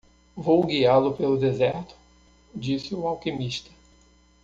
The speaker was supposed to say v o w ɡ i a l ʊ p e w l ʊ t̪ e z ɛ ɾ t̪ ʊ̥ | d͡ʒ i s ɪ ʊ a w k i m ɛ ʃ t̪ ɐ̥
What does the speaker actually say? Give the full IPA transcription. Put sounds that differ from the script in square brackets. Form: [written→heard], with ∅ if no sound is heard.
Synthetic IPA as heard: v o w ɡ i a l ʊ p e [w→∅] l ʊ [t̪→d̪] e z ɛ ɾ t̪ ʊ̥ | d͡ʒ i s ɪ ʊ a w k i m [ɛ→i] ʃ t̪ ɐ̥